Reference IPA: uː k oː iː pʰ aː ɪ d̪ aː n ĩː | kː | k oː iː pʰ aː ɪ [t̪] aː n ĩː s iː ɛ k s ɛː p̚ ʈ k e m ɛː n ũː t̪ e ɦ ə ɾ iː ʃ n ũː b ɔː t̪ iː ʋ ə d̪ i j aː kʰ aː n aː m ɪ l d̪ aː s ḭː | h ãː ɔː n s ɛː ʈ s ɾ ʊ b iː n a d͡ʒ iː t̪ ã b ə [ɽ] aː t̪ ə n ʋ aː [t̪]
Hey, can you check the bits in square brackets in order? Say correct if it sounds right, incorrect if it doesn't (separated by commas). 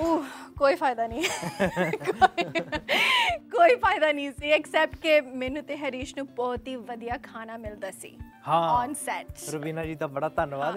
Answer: incorrect, correct, incorrect